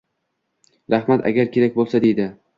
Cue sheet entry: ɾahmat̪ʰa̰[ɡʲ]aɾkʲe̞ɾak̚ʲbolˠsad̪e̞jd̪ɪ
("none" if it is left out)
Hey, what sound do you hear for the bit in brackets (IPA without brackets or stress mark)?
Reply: ɡʲ